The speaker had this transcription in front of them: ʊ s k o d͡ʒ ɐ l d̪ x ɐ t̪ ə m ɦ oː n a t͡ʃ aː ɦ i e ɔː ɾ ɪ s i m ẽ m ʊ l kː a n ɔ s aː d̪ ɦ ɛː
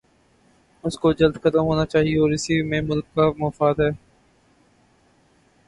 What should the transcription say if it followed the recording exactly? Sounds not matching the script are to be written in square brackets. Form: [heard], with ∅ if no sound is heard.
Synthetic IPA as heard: ʊ s k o d͡ʒ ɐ l d̪ x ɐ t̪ ə m ɦ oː n a t͡ʃ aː ɦ i e ɔː ɾ ɪ s i m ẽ m ʊ l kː a [m] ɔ [f] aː d̪ ɦ ɛː